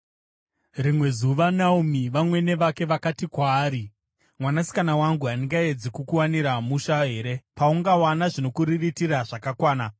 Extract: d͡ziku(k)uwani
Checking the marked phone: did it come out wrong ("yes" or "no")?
no